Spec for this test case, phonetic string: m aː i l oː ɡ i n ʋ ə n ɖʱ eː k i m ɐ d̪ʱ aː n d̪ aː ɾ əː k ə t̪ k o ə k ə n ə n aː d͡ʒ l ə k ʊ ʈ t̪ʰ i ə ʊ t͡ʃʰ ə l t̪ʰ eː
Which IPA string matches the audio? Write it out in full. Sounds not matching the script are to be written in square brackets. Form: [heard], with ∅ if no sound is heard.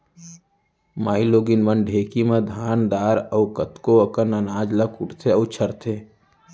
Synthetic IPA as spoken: m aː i l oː ɡ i n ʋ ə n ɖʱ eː k i m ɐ d̪ʱ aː n d̪ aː ɾ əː k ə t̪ k o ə k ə n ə n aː d͡ʒ l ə k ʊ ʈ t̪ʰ [e] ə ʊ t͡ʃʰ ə [ɾ] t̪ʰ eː